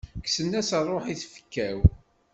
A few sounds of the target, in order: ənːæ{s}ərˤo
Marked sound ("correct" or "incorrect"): correct